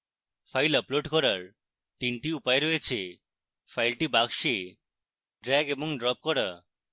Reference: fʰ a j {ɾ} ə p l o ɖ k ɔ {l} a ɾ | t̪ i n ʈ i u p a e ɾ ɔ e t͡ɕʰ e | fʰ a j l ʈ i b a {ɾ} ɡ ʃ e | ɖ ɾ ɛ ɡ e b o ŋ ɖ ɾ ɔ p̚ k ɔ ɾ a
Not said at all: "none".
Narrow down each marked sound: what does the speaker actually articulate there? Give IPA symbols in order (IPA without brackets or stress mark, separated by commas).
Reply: l, ɾ, none